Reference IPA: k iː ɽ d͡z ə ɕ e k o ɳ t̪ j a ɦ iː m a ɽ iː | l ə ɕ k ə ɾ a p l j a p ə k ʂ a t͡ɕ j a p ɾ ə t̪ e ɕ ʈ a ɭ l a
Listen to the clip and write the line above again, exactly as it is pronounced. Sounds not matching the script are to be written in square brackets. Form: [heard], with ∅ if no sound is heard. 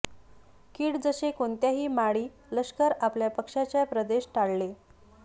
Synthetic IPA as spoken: k iː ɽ d͡z ə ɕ e k o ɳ t̪ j a ɦ iː m a ɽ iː | l ə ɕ k ə ɾ a p l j a p ə k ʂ a t͡ɕ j a p ɾ ə [d̪] e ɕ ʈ a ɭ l [e]